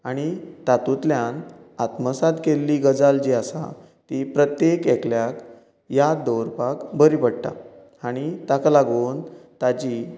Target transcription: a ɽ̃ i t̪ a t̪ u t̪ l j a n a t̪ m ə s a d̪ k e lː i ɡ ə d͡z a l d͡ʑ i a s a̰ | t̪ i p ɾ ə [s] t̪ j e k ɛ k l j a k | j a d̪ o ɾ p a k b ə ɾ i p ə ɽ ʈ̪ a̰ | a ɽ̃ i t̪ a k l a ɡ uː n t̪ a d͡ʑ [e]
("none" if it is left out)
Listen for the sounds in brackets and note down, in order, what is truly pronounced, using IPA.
none, i

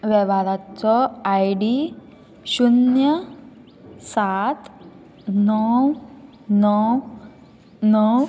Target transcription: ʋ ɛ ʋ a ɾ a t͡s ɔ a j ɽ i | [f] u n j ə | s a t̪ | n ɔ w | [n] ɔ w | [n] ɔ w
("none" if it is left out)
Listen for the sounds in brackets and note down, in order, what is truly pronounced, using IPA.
ɕ, n, n

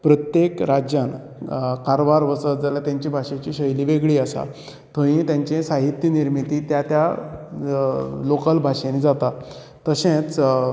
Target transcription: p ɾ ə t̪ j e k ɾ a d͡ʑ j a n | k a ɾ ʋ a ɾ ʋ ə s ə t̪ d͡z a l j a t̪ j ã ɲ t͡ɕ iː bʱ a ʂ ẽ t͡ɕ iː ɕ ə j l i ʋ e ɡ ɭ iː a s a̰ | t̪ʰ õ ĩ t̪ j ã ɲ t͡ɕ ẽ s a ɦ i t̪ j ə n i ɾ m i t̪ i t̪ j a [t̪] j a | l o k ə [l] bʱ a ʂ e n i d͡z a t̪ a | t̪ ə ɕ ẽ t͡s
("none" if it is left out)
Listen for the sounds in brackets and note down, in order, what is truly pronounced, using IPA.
t̪, l

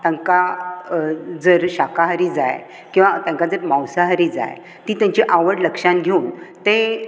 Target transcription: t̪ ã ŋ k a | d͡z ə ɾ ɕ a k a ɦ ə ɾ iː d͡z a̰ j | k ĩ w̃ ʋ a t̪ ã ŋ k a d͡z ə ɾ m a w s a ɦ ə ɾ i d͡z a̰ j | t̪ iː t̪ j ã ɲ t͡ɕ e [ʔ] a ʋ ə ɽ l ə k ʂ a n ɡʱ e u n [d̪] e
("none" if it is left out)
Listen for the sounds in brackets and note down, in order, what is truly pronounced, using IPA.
ʔ, t̪

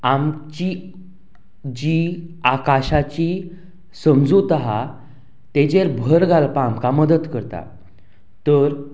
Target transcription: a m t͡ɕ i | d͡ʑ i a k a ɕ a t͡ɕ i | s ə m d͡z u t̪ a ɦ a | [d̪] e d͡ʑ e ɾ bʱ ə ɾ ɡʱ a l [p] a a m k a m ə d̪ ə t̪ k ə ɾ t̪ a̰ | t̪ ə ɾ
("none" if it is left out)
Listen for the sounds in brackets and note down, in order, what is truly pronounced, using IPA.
t̪, p

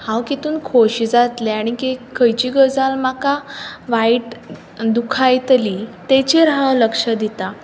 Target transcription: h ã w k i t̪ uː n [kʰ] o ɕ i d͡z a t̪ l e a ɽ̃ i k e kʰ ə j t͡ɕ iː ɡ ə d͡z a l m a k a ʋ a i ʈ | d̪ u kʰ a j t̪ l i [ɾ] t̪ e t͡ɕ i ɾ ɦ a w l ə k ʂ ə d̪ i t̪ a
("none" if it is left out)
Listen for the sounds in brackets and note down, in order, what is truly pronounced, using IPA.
kʰ, none

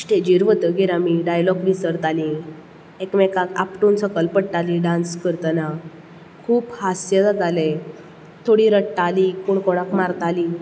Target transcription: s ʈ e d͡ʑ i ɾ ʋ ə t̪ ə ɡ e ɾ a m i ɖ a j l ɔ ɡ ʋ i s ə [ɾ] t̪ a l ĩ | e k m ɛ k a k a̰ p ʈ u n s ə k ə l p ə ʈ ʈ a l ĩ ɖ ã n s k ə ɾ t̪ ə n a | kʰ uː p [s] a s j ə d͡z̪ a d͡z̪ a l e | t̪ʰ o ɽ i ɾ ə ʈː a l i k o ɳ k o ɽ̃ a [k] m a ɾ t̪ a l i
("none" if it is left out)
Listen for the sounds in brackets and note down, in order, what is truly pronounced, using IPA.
ɾ, h, k

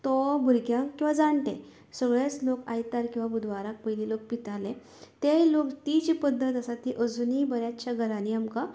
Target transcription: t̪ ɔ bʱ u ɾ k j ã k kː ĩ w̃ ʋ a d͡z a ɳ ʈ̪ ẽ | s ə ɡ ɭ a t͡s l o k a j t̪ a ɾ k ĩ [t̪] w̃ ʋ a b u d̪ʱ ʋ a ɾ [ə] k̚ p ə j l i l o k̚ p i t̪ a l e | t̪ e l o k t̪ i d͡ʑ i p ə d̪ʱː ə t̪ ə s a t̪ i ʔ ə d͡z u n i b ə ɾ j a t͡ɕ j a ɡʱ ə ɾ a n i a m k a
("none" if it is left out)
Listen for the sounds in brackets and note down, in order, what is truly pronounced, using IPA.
none, a

